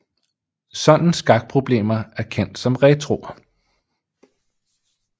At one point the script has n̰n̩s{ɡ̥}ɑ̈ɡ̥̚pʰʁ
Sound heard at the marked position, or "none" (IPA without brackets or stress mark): ɡ̥